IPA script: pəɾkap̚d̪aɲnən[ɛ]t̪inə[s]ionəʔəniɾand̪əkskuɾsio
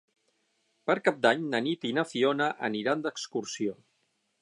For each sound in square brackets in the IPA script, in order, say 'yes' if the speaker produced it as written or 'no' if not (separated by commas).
no, no